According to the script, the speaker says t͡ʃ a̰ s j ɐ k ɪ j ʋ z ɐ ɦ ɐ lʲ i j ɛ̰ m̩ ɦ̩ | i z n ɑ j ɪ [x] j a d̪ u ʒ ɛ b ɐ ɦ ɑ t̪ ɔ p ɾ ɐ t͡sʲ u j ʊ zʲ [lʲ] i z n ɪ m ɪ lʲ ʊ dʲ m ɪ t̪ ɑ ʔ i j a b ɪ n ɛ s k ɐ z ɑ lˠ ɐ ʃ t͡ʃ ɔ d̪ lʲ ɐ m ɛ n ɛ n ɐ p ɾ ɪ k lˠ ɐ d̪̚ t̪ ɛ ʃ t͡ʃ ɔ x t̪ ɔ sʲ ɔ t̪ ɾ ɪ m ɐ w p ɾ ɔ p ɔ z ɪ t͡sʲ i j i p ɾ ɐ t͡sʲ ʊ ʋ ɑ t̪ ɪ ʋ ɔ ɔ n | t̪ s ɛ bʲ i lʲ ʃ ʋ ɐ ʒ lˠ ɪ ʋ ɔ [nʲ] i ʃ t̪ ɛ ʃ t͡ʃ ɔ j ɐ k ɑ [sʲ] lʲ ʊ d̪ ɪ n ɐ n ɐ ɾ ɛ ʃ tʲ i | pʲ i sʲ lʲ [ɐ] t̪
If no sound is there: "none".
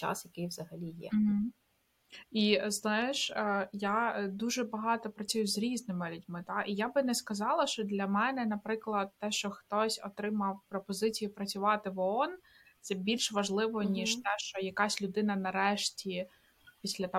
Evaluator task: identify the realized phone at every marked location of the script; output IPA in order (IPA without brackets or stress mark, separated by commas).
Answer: ʃ, ɾʲ, nʲ, sʲ, ɐ